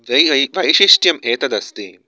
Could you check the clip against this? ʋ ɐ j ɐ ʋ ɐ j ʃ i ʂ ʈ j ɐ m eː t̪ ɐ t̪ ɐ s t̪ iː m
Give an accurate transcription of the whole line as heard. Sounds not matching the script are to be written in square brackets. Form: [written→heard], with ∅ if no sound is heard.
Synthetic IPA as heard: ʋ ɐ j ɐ ʋ ɐ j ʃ i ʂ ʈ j ɐ m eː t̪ ɐ [t̪→d̪] ɐ s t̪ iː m